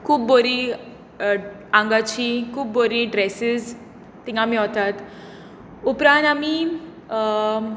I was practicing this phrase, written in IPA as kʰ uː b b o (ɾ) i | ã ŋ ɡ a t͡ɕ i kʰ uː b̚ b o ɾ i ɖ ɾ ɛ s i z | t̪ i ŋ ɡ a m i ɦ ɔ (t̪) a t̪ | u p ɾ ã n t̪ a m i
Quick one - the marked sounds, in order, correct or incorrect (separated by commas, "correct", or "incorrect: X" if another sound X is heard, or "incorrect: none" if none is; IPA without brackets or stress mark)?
correct, correct